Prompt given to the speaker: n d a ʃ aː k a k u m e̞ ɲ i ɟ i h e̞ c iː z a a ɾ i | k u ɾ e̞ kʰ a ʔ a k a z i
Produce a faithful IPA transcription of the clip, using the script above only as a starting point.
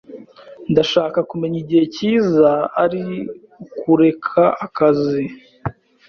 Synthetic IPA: n d a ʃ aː k a k u m e̞ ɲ i ɟ i h e̞ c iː z a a ɾ i | k u ɾ e̞ kʰ a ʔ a k a z i